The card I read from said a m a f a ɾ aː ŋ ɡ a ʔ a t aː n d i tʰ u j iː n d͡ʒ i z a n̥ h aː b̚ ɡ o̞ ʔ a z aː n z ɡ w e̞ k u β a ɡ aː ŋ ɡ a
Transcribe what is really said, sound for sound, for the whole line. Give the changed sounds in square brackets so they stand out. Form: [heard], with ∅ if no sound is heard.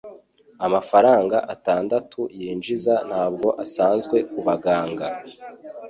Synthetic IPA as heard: a m a f a ɾ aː ŋ ɡ a ʔ a t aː n d [a] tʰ u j iː n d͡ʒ i z a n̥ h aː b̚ ɡ o̞ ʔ a [s] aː n z ɡ w e̞ k u β a ɡ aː ŋ ɡ a